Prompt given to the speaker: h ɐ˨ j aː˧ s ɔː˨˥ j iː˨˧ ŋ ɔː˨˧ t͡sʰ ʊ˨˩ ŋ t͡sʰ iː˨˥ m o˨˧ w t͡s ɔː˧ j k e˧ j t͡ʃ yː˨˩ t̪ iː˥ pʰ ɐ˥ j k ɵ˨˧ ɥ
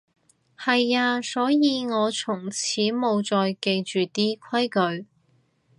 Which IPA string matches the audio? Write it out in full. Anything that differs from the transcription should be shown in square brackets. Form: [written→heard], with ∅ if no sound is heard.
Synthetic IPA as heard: h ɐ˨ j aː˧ s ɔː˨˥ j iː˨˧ ŋ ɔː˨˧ t͡sʰ ʊ˨˩ ŋ t͡sʰ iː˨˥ m o˨˧ w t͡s ɔː˧ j k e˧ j t͡ʃ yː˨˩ t̪ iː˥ [pʰ→kʰ] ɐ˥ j k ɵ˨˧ ɥ